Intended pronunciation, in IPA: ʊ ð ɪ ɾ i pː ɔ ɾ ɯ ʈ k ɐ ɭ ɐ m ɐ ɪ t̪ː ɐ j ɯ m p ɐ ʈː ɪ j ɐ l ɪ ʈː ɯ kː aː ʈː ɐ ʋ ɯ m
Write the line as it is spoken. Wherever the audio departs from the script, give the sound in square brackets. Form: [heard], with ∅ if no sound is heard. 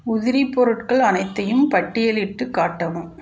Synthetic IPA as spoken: ʊ ð ɪ ɾ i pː ɔ ɾ ɯ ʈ k ɐ ɭ ɐ [n] ɐ ɪ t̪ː ɐ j ɯ m p ɐ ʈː ɪ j ɐ l ɪ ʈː ɯ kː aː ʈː ɐ ʋ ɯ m